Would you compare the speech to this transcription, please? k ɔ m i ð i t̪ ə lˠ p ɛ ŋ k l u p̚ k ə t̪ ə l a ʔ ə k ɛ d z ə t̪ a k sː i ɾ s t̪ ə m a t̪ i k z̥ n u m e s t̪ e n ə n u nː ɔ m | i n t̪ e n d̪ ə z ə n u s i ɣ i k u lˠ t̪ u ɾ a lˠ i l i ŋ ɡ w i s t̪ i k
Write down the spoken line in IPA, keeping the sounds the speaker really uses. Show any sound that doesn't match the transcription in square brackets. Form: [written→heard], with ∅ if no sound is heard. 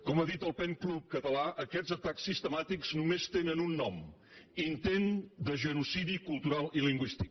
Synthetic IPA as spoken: k ɔ m [i→a] ð i t̪ ə lˠ p ɛ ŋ k l u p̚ k ə t̪ ə l a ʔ ə k ɛ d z ə t̪ a k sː i [ɾ→∅] s t̪ ə m a t̪ i k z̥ n u m e s t̪ e n ə n u nː ɔ m | i n t̪ e n d̪ ə [z→ʒ] ə n u s i [ɣ→ð] i k u lˠ t̪ u ɾ a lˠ i l i ŋ ɡ w i s t̪ i k